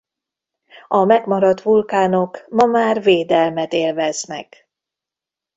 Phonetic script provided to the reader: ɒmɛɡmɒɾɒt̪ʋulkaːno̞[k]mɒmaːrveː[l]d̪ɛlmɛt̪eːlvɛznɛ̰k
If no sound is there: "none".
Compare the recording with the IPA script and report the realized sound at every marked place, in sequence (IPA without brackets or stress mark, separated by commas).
k, none